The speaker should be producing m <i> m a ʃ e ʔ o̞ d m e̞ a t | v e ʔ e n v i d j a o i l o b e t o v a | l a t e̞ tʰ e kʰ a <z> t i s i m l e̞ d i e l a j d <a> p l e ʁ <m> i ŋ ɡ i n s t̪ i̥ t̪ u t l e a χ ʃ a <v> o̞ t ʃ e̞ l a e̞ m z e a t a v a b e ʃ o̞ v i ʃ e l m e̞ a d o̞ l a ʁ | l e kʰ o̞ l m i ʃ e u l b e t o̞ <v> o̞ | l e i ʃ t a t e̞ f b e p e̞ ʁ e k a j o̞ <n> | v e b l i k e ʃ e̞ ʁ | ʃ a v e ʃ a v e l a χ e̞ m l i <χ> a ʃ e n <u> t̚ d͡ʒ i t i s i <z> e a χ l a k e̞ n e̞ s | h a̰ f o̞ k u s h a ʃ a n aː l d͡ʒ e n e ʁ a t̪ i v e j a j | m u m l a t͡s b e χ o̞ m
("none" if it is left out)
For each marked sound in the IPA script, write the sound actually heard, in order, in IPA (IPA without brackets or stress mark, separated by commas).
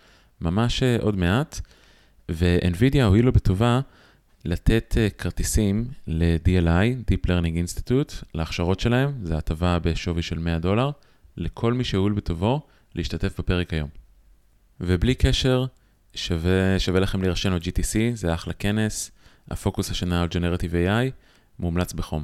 a, ʁ, i, n, ʁ, v, m, ʁ, o, z